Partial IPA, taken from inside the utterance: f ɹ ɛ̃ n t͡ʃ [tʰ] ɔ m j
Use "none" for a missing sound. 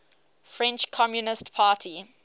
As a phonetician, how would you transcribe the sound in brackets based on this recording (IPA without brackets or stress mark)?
kʰ